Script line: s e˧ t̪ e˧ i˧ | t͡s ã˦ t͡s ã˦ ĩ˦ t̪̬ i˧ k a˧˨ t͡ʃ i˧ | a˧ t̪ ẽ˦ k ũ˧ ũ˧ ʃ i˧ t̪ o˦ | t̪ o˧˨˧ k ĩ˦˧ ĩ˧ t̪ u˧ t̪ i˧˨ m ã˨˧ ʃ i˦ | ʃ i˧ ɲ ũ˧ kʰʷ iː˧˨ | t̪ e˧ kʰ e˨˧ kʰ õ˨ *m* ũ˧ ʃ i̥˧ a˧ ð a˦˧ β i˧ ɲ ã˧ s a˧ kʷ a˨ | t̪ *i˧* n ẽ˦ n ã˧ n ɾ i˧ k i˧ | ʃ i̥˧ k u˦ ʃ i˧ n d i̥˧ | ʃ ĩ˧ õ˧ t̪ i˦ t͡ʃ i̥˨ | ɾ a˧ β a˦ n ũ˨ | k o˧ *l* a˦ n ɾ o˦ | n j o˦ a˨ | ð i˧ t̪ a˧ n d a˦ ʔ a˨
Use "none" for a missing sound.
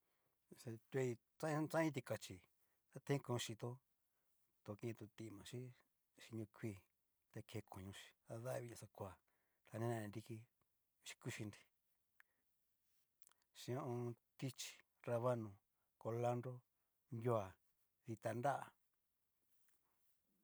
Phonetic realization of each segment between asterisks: ɲ, a˧, l

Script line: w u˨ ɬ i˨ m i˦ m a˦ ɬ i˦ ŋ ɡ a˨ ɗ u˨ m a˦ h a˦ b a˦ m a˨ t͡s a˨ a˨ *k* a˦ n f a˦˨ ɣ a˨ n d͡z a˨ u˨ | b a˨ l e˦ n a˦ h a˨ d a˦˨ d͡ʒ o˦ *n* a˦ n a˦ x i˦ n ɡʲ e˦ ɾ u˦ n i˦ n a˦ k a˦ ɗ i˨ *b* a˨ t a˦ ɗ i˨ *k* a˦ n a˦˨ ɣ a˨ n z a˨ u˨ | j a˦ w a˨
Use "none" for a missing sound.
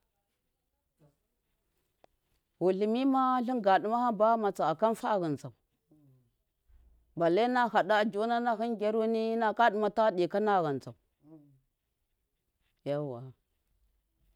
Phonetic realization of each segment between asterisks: k, n, m, k

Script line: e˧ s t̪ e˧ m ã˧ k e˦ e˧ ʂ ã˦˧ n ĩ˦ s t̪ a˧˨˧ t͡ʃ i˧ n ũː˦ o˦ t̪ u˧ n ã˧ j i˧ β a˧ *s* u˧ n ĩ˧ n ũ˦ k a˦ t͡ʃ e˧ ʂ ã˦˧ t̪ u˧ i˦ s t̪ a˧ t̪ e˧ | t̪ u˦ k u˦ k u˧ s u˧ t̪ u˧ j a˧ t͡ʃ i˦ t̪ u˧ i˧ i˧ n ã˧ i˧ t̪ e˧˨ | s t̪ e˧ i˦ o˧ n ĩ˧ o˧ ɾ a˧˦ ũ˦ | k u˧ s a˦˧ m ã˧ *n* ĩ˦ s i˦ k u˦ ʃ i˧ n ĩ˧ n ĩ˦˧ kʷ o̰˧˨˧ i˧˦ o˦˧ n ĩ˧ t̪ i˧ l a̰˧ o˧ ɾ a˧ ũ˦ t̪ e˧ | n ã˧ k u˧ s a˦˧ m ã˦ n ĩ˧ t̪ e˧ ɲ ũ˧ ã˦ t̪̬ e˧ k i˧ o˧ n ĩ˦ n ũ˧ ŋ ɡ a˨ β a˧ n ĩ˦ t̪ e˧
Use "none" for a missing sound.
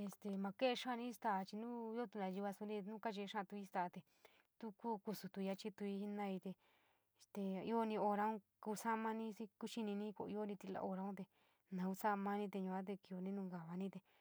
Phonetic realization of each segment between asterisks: s, n

